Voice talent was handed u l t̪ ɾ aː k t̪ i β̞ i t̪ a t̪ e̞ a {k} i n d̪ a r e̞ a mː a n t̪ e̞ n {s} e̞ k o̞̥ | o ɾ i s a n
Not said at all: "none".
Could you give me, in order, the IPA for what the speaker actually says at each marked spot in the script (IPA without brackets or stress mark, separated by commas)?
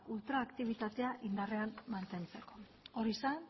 ʔ, t͡s